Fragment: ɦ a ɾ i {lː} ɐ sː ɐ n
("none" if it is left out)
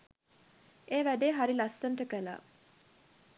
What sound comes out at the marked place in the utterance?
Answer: l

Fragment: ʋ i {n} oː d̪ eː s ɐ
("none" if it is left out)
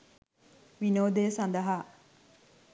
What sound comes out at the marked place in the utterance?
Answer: n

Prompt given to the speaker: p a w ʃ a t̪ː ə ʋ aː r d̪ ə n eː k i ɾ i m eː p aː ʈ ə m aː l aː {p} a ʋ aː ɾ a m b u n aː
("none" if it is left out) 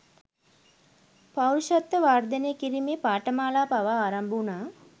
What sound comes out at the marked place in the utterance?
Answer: p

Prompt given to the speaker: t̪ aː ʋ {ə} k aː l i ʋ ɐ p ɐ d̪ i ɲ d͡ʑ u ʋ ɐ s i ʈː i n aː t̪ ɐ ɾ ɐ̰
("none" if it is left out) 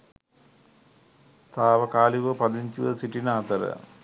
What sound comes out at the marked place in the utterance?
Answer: ɐ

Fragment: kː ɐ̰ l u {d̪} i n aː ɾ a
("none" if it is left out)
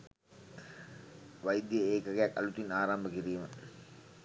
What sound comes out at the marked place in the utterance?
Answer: t̪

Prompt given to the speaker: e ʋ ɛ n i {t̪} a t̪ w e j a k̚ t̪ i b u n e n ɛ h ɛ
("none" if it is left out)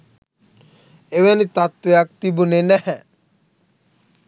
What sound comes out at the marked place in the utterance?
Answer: t̪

